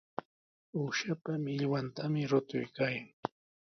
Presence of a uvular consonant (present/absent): absent